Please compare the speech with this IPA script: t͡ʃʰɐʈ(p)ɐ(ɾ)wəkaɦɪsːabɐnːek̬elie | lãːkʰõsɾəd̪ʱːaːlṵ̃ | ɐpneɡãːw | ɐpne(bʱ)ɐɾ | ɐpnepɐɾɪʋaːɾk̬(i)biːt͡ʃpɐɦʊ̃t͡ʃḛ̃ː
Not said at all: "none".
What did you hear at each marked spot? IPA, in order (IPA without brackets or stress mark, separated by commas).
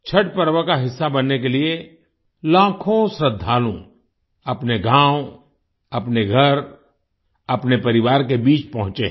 p, ɾ, ɡʱ, e